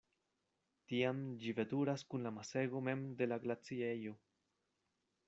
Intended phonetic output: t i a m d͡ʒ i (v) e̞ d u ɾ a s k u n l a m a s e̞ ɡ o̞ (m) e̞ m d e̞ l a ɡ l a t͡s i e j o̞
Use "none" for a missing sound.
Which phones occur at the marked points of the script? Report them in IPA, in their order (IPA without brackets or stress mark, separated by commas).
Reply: v, m